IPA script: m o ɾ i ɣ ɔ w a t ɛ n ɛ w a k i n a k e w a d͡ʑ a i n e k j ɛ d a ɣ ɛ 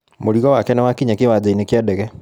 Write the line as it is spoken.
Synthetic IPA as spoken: m o ɾ i ɣ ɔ w a k ɛ n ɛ w a k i ɲ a k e w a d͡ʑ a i n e k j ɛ d ɛ ɣ ɛ